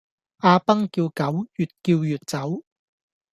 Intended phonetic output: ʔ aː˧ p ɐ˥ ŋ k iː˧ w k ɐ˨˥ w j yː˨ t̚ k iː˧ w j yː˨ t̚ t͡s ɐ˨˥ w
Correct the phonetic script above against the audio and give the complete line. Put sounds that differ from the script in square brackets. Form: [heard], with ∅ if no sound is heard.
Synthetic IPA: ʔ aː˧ p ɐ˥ ŋ k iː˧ w k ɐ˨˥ w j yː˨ t̚ k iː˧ w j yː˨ t̚ t͡s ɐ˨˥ w